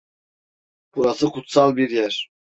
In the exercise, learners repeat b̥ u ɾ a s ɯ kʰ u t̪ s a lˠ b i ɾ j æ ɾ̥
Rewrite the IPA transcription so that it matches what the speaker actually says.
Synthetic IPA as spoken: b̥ u ɾ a s ɯ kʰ u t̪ s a lˠ b i ɾ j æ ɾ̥